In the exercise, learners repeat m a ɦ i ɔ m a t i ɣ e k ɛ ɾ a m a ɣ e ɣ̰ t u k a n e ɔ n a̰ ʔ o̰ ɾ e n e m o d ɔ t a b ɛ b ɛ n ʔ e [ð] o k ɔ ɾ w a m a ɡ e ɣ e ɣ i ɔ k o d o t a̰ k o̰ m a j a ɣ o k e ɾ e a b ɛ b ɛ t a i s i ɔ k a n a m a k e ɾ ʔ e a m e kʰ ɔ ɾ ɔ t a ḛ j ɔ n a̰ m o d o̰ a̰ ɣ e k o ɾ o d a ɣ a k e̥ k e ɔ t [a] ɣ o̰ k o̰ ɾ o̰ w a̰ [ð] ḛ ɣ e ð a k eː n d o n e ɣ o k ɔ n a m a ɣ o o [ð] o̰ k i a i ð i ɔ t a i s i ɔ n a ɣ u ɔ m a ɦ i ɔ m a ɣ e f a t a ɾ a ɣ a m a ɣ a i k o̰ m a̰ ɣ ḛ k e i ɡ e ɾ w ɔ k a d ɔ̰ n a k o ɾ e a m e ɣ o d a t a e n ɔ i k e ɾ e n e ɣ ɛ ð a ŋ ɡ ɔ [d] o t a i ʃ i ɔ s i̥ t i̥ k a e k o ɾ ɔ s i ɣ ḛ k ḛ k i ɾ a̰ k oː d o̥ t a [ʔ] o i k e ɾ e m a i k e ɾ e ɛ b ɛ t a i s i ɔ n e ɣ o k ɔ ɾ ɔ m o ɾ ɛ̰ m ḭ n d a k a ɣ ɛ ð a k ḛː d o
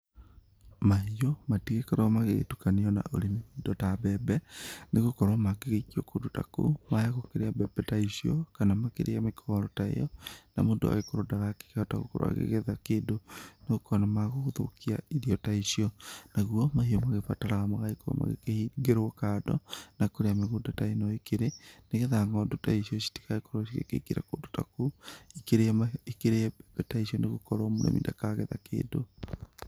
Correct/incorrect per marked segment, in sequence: incorrect: ɣ, correct, incorrect: ɣ, correct, correct, incorrect: k

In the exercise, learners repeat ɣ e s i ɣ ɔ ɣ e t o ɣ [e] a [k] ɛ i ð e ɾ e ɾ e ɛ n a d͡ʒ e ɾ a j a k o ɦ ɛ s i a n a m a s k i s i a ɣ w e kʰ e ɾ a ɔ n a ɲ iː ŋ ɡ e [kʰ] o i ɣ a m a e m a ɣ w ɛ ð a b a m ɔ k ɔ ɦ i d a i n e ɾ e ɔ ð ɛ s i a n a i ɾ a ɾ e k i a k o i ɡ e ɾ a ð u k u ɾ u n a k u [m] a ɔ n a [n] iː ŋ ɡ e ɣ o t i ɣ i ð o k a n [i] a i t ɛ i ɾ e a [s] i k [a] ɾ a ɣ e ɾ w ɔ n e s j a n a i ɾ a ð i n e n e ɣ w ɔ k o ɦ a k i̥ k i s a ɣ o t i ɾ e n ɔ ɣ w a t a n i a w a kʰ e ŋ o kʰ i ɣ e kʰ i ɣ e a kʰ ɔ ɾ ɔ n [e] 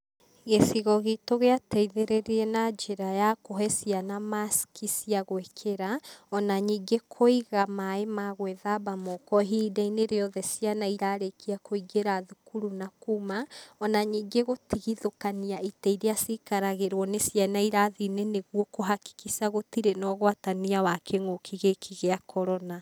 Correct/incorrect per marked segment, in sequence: correct, incorrect: t, correct, correct, incorrect: ɲ, correct, correct, correct, incorrect: a

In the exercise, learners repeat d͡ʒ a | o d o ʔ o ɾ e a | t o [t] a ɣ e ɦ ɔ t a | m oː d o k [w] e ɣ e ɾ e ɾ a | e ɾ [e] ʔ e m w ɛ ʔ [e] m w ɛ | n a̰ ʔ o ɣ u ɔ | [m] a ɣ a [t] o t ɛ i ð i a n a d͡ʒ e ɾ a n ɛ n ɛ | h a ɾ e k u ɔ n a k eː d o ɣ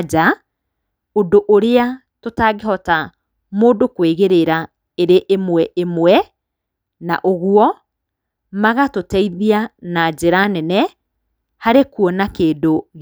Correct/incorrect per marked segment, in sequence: correct, correct, correct, correct, correct, correct

